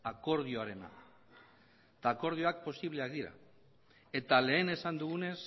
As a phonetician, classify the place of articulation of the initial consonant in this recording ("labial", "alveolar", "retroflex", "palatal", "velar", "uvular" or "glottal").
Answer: velar